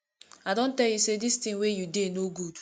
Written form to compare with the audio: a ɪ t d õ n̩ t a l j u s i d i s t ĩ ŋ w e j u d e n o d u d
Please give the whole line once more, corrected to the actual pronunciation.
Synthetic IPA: a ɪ d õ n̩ t ɛ l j u s e d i s t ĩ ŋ w e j u d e n o ɡ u d